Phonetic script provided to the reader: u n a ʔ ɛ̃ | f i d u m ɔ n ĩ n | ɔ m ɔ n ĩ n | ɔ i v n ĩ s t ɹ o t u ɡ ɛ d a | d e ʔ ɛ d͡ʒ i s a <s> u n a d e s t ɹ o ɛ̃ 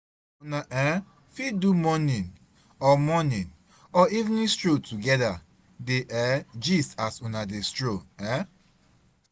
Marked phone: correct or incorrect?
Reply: correct